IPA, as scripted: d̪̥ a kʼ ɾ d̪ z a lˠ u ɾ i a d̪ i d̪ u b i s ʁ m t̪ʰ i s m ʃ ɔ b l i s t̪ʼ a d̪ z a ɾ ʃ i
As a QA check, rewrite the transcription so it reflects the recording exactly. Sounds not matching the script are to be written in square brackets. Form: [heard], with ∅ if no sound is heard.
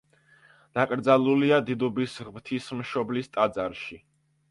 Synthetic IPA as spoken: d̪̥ a kʼ ɾ d̪ z a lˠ u [l] i a d̪ i d̪ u b i s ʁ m t̪ʰ i s m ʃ ɔ b l i s t̪ʼ a d̪ z a ɾ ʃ i